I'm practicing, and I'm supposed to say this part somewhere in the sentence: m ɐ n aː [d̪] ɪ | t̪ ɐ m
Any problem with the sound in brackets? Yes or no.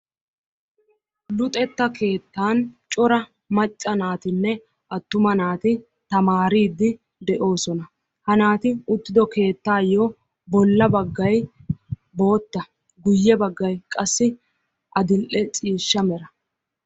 yes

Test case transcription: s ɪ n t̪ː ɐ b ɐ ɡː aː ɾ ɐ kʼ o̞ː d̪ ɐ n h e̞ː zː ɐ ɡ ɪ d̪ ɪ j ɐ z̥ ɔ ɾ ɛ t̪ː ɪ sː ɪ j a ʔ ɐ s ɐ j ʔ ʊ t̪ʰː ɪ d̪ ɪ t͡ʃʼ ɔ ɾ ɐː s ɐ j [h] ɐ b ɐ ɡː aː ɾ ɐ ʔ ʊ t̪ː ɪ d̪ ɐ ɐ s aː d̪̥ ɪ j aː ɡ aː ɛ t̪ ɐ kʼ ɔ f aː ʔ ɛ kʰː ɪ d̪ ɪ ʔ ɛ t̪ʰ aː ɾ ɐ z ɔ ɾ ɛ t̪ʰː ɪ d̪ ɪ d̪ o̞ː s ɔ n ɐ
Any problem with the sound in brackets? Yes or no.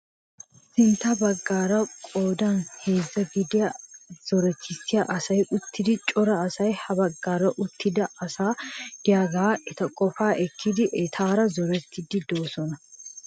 no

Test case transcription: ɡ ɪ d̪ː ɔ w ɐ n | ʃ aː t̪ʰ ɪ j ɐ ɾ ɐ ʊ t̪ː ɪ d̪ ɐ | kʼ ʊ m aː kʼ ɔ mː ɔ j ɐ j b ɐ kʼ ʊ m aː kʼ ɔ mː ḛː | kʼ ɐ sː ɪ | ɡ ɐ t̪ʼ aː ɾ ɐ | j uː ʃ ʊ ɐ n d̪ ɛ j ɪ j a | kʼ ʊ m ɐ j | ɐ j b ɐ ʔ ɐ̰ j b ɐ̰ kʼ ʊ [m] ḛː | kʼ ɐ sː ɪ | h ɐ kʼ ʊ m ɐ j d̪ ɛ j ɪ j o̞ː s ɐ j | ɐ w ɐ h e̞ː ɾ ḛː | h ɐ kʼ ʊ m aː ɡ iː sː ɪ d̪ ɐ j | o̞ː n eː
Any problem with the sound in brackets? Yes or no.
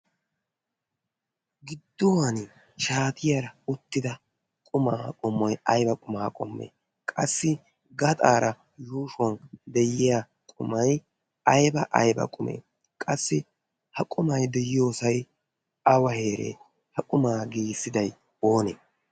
no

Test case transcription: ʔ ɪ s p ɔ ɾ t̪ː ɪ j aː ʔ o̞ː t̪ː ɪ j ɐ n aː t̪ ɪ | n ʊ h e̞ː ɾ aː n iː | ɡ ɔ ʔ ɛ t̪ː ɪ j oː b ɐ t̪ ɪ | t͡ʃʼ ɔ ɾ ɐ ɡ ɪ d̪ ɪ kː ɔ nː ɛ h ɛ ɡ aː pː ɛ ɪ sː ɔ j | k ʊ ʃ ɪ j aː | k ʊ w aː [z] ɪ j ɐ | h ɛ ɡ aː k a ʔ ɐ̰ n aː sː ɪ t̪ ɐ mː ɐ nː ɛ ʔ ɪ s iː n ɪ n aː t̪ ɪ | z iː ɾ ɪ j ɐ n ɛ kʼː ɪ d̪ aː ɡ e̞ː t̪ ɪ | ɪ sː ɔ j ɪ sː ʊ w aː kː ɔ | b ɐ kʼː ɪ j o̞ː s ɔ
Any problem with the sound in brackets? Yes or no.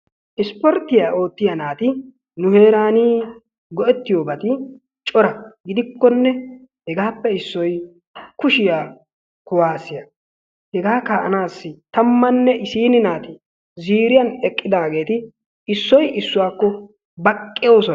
yes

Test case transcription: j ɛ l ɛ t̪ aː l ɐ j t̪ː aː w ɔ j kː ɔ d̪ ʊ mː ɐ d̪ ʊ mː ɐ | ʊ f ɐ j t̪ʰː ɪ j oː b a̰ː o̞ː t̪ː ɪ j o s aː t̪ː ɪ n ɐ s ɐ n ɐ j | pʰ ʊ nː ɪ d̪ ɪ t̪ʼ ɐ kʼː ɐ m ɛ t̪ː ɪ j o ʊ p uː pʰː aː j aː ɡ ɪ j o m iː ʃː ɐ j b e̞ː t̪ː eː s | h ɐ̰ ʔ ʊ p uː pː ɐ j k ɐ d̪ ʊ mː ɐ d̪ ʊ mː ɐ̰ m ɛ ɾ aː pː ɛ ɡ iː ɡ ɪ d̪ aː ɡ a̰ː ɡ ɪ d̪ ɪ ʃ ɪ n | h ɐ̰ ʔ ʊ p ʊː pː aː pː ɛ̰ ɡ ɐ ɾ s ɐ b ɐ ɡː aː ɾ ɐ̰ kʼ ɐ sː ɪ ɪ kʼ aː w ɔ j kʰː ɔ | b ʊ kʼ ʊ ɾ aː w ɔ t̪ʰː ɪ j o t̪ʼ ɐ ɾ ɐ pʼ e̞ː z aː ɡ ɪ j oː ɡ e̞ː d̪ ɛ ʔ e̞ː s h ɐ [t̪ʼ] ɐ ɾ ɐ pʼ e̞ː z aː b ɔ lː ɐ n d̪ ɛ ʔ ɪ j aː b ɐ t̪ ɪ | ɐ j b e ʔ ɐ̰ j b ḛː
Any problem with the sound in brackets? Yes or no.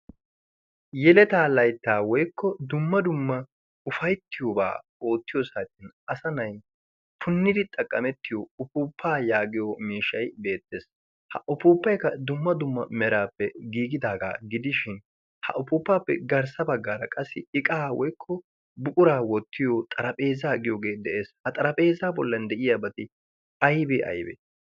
no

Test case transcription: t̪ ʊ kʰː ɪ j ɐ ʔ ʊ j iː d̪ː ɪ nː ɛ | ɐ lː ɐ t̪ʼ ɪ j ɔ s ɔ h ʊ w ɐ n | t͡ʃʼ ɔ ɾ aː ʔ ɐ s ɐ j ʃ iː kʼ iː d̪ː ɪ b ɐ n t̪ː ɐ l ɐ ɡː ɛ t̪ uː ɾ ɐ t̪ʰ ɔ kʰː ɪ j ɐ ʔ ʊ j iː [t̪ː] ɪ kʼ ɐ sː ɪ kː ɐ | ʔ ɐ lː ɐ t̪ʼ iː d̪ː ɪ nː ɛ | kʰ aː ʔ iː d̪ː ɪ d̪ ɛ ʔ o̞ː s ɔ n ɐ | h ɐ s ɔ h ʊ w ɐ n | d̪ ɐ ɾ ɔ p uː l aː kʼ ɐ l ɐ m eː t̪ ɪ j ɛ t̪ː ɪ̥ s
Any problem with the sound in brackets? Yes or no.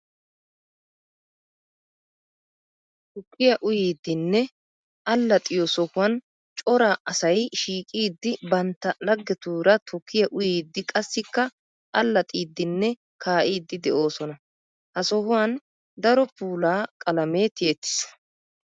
yes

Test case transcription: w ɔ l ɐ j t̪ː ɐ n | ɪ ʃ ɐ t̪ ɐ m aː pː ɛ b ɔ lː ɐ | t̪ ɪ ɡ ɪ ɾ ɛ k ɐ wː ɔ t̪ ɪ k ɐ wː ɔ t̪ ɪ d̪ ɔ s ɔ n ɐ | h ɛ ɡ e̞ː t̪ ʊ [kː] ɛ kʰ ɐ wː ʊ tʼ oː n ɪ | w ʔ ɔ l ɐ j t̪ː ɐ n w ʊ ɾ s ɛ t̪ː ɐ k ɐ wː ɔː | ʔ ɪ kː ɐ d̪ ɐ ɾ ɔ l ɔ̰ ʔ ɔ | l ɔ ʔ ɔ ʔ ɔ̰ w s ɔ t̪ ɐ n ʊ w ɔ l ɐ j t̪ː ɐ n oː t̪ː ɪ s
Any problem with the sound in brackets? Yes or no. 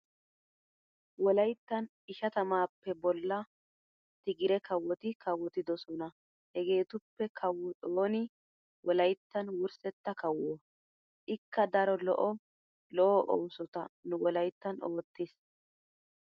yes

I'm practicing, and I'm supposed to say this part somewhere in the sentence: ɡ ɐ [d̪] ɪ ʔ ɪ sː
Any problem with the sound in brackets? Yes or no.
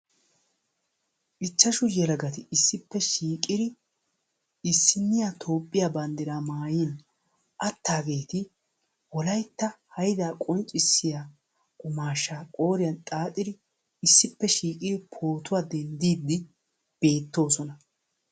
yes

